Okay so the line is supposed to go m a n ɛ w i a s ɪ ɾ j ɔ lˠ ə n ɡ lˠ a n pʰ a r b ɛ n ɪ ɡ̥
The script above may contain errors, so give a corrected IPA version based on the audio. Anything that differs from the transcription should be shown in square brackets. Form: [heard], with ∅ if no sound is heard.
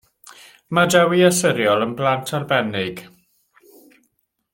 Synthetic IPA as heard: m a [d] ɛ w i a s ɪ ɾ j ɔ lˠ ə n [b] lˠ a n [tʰ] a r b ɛ n ɪ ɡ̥